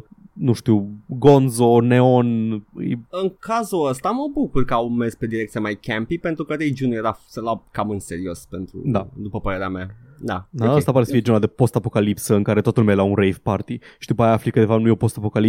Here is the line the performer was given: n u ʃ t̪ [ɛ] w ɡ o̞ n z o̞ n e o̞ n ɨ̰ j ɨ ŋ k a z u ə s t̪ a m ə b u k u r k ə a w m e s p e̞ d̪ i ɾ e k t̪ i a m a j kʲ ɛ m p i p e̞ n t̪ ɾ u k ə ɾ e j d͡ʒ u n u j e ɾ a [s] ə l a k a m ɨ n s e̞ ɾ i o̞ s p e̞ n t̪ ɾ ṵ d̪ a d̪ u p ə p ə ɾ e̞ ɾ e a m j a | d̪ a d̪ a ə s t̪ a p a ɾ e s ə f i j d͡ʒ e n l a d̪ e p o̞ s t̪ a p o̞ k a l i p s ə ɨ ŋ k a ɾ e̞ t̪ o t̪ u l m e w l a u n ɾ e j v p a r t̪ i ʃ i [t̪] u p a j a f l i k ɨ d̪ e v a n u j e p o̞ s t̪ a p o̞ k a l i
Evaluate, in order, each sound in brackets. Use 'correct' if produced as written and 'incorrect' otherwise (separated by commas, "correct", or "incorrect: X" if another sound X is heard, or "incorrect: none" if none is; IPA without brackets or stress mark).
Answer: incorrect: i, correct, incorrect: d̪